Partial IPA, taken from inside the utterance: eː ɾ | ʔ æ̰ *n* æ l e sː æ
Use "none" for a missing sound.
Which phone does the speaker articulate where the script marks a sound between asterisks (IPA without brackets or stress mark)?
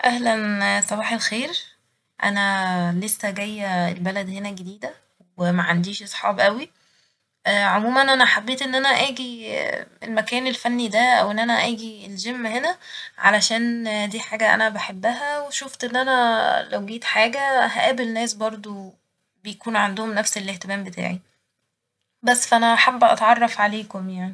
n